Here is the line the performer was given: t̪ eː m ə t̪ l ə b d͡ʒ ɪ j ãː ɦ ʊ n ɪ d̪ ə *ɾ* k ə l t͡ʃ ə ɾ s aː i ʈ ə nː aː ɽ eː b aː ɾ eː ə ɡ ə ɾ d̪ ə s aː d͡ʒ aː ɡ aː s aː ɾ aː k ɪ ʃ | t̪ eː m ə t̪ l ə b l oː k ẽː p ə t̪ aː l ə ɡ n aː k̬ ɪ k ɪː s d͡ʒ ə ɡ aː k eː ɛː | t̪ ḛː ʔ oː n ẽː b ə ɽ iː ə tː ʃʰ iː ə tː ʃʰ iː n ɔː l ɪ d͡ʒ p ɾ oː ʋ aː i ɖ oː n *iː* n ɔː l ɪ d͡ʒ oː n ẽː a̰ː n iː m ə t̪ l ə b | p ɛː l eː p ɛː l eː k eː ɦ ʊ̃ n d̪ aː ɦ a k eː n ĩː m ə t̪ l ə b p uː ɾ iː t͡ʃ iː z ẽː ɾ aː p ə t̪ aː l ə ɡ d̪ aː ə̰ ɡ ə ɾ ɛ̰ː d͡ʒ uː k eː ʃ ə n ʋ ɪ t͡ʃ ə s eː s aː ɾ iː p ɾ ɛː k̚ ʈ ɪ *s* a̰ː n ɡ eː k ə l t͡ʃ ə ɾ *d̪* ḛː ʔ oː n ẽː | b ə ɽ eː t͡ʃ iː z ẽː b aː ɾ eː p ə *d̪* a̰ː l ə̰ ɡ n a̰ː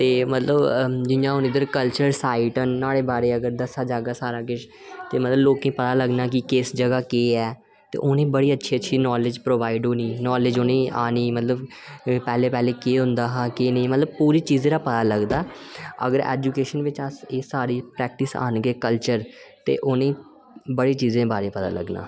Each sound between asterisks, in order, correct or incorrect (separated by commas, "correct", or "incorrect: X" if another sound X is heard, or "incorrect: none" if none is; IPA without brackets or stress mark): correct, correct, correct, incorrect: t̪, incorrect: t̪